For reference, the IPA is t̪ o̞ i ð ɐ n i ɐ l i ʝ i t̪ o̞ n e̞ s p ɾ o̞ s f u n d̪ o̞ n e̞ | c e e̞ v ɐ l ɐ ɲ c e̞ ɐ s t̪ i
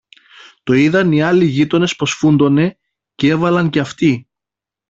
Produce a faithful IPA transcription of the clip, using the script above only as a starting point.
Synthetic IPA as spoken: t̪ o̞ i ð ɐ n i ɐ l i ʝ i t̪ o̞ n e̞ s p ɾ o̞ s f u n d̪ o̞ n e̞ | c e e̞ v ɐ l ɐ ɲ c e̞ ɐ f t̪ i